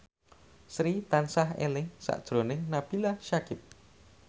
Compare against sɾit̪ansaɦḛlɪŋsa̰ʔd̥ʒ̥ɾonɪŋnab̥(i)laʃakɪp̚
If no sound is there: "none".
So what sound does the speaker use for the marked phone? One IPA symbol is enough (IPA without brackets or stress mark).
i